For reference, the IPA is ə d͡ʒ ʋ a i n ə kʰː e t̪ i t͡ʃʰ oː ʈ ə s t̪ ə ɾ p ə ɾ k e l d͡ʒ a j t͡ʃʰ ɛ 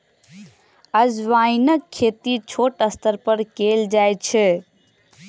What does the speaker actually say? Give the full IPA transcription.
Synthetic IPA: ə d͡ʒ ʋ a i n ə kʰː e t̪ i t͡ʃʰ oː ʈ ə s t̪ ə ɾ p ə ɾ k e l d͡ʒ a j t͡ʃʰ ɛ